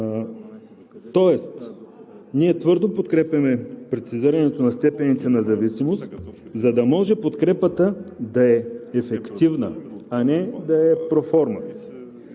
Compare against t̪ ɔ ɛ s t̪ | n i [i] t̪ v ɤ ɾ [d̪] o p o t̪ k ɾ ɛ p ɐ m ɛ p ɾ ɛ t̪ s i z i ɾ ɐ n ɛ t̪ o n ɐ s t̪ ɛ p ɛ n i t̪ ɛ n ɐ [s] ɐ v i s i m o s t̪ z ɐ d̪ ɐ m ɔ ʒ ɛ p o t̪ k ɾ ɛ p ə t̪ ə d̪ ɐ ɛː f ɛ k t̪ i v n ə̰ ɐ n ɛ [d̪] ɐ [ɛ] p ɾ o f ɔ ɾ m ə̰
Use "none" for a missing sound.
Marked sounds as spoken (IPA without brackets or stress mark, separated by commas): ɛ, d̪, z, d̪, ɛ